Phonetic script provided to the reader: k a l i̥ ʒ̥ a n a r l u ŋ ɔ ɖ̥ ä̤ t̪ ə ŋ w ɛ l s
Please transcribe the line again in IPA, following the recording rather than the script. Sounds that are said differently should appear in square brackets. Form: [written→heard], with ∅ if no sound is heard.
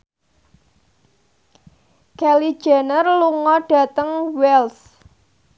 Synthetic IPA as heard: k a l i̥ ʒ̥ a n [a→ə] r l u ŋ ɔ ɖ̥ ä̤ t̪ ə ŋ w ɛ l s